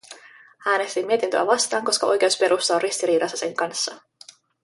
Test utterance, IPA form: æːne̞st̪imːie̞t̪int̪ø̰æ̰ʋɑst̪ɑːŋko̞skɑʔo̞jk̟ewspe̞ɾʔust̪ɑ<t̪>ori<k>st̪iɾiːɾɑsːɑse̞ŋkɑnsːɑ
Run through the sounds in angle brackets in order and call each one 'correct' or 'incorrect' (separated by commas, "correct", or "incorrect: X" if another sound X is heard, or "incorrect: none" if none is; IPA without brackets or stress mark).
incorrect: none, incorrect: none